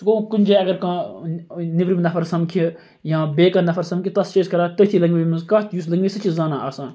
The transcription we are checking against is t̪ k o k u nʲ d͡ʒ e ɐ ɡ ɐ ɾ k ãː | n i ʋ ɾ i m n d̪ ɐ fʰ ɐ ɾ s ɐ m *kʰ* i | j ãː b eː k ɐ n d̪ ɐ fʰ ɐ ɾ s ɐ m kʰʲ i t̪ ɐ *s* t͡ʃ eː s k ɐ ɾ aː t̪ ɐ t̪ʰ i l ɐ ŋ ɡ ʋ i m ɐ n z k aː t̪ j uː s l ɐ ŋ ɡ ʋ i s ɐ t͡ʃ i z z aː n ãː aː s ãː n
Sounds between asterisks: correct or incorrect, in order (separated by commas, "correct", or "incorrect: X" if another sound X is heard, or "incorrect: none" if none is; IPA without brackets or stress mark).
correct, correct